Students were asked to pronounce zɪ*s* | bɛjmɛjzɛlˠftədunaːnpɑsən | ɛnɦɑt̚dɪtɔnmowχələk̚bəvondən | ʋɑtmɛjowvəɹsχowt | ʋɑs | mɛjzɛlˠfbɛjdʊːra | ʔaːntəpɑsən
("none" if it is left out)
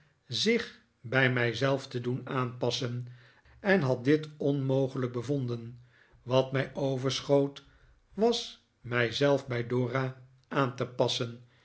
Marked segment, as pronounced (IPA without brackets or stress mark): χ